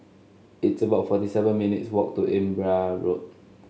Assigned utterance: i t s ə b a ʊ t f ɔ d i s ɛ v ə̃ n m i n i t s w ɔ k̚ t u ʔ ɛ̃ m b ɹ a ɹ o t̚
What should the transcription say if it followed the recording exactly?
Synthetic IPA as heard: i t s ə b a ʊ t f ɔ t i s ɛ v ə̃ n m i n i t s w ɔ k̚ t u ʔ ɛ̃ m b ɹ a ɹ o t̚